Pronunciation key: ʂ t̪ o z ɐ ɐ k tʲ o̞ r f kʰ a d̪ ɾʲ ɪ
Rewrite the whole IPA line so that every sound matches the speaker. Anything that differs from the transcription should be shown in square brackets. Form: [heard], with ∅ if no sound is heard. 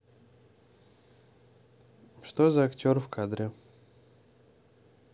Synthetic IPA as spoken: ʂ t̪ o z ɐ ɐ k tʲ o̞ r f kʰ a d̪ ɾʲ ɪ